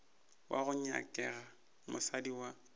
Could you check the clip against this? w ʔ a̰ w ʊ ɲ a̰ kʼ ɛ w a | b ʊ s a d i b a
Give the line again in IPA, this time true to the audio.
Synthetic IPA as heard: w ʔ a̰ ɣ ʊ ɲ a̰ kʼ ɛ ɣ a | m ʊ s a d i w a